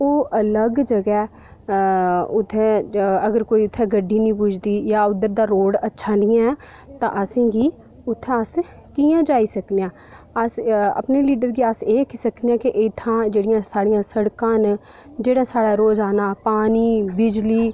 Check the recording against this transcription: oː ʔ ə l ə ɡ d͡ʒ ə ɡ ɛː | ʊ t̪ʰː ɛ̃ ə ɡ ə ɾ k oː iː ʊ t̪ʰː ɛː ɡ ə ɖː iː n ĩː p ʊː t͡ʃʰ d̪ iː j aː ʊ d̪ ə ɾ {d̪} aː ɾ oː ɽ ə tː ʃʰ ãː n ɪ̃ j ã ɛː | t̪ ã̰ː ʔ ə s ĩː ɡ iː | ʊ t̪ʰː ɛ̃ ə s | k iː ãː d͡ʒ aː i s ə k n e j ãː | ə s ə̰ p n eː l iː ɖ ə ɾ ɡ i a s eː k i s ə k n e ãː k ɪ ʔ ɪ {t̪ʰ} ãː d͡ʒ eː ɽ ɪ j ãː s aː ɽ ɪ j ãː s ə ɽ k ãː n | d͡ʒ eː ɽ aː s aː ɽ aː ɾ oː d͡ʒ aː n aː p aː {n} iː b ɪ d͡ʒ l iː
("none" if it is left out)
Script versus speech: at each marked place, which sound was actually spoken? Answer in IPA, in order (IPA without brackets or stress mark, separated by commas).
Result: d̪, t̪ʰ, n